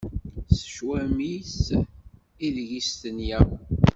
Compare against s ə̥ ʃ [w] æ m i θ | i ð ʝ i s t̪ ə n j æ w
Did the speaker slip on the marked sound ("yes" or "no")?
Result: no